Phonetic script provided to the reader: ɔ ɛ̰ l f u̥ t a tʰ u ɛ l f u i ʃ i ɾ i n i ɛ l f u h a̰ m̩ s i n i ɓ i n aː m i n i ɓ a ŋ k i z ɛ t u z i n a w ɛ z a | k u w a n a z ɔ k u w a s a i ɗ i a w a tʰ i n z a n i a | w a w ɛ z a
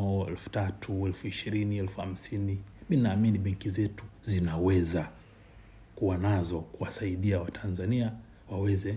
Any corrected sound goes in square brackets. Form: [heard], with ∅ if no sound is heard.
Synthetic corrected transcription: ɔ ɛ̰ l f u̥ t a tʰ u ɛ l f u i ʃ i ɾ i n i ɛ l f u h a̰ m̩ s i n i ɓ i n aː m i n i ɓ [ɛ] ŋ k i z ɛ t u z i n a w ɛ z a | k u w a n a z ɔ k u w a s a i ɗ i a w a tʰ [a] n z a n i a | w a w ɛ z [ɛ]